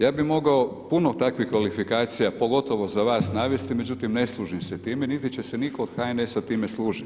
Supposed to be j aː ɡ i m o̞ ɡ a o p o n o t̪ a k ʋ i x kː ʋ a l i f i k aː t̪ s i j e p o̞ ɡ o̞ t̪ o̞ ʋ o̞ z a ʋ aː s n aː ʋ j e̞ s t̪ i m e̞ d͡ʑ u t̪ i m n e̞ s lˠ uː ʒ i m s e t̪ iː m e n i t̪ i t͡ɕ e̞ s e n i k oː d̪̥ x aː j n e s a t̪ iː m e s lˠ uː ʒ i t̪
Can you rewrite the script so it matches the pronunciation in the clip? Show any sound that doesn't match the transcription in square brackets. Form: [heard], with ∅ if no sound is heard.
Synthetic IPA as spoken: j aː [b] i m o̞ ɡ a o p [u] n o t̪ a k ʋ i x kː ʋ a l i f i k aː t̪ s i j [a] p o̞ ɡ o̞ t̪ o̞ ʋ o̞ z a ʋ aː s n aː ʋ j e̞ s t̪ i m e̞ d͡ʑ u t̪ i m n e̞ s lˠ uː ʒ i m s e t̪ iː m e n i t̪ i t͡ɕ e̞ s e n i k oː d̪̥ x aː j n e s a t̪ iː m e s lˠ uː ʒ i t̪